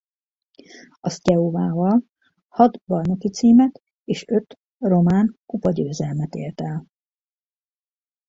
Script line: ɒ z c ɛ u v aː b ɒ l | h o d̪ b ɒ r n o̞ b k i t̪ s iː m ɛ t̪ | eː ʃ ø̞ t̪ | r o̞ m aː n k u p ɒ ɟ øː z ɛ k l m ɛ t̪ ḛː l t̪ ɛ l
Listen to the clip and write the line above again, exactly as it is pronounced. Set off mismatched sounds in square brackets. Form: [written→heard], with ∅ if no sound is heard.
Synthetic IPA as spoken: ɒ [z→s] c ɛ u v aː [b→v] ɒ l | h [o→ɒ] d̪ b ɒ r n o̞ [b→∅] k i t̪ s iː m ɛ t̪ | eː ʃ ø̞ t̪ | r o̞ m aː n k u p ɒ ɟ øː z ɛ [k→∅] l m ɛ t̪ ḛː l t̪ ɛ l